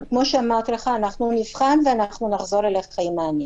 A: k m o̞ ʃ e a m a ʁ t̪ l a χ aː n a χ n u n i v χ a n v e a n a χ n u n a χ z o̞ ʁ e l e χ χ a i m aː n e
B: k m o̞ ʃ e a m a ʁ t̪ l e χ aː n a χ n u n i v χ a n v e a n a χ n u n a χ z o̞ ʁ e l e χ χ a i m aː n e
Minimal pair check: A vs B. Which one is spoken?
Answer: B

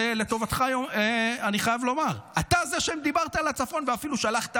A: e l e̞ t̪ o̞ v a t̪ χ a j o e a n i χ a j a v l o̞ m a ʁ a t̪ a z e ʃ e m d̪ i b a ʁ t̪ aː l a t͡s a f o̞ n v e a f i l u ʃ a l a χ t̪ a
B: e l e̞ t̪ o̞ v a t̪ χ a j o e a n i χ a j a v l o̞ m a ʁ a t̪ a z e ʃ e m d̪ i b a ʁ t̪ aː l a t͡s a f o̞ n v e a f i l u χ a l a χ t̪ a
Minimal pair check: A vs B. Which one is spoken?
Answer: A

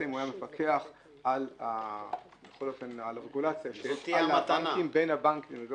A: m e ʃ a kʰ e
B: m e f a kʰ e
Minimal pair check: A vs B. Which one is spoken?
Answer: B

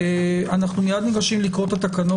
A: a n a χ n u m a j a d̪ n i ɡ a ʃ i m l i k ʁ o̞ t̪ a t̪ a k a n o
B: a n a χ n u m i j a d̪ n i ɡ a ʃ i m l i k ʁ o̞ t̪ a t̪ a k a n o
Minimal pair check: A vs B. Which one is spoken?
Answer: B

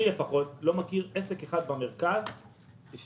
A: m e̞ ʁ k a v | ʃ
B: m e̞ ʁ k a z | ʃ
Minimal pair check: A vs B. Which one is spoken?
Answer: B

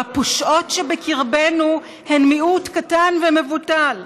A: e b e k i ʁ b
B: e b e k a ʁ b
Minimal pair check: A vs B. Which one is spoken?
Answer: A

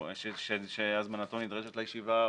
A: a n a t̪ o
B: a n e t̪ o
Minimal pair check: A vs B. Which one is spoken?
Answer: A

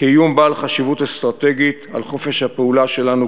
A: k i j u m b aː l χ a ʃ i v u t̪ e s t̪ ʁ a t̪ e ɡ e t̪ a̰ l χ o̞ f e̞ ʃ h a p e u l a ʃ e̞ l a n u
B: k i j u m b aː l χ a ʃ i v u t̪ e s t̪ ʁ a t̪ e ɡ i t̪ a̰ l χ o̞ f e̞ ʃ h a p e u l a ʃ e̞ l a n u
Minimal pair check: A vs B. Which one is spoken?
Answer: B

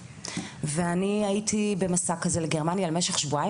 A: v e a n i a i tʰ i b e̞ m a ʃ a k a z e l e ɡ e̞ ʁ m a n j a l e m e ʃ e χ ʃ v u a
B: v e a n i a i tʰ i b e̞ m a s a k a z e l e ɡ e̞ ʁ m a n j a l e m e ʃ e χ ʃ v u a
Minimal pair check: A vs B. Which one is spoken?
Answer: B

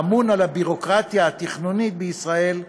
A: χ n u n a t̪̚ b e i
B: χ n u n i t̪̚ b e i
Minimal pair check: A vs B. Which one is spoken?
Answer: B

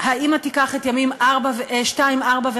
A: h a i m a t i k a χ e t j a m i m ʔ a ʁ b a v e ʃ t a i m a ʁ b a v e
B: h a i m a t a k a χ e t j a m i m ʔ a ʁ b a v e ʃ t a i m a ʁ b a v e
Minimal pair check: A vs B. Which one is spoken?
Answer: A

